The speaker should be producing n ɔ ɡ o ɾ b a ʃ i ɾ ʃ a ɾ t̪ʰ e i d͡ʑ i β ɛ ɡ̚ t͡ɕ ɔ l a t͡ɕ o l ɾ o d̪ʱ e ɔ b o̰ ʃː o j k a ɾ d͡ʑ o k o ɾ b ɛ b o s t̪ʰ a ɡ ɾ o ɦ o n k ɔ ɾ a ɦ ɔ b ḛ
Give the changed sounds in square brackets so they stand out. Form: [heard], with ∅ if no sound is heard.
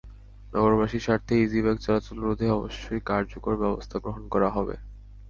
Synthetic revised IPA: n ɔ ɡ o ɾ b a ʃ i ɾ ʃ a ɾ t̪ʰ e i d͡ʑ i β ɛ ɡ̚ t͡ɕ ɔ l a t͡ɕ o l ɾ o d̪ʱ e ɔ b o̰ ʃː o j k a ɾ d͡ʑ o k o ɾ b ɛ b o s t̪ʰ a ɡ ɾ o ɦ o n k ɔ ɾ a ɦ ɔ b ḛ